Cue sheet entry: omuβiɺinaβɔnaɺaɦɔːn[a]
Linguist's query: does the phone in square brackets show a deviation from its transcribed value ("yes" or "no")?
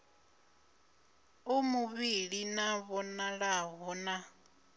no